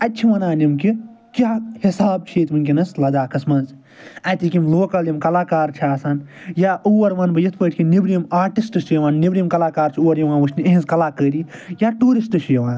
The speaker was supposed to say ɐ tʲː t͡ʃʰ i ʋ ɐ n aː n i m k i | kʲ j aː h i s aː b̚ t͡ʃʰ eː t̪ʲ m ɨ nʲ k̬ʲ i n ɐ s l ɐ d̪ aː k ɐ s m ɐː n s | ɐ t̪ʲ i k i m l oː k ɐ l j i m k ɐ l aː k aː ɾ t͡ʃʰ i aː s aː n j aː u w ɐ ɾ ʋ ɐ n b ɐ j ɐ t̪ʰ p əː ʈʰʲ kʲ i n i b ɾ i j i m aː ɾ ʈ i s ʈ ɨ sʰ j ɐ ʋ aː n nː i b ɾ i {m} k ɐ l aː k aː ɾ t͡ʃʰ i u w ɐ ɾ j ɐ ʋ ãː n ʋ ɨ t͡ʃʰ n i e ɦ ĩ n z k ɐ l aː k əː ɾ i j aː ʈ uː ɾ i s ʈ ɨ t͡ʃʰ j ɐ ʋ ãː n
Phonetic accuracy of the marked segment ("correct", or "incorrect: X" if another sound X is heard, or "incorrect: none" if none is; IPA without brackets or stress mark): correct